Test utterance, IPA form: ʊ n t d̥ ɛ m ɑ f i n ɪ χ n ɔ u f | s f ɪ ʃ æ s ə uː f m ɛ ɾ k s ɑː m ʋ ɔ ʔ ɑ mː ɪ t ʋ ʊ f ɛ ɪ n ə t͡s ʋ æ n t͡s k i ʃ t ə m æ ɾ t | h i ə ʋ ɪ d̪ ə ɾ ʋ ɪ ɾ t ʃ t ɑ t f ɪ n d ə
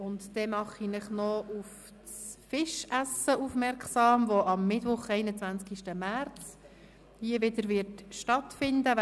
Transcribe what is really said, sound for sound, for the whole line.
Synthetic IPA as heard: ʊ n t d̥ ɛ m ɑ χ i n ɪ χ n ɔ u f | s f ɪ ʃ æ s ə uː f m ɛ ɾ k s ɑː m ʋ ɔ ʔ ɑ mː ɪ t ʋ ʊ χ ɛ ɪ n ə t͡s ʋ æ n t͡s k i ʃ t ə m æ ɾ t͡s | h i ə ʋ ɪ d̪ ə ɾ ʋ ɪ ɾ t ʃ t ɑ t f ɪ n d ə